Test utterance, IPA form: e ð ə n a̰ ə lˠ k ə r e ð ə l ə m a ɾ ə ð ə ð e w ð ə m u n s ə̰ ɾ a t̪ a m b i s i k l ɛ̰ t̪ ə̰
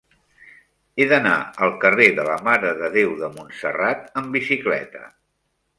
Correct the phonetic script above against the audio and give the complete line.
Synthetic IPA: e ð ə n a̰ ə lˠ k ə r e ð ə l ə m a ɾ ə ð ə ð e w ð ə m u n s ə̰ r a t̪ ə m b i s i k l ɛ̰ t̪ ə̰